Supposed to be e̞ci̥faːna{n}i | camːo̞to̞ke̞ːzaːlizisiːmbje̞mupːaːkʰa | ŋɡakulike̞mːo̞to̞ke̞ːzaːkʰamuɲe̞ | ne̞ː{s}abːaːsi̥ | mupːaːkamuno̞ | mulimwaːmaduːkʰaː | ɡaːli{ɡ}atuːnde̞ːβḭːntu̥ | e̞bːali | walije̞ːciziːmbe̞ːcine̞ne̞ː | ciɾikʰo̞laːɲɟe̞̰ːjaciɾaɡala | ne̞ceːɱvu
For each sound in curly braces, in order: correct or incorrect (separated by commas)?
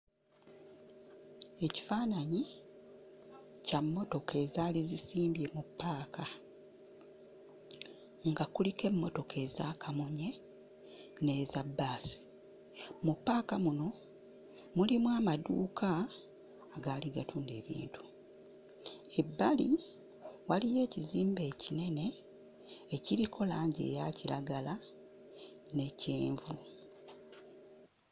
incorrect, incorrect, correct